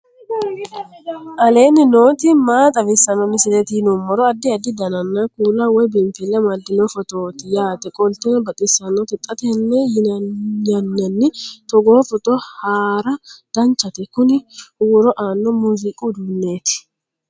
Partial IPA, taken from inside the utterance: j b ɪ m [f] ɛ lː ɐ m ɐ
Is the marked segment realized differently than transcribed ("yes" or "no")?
no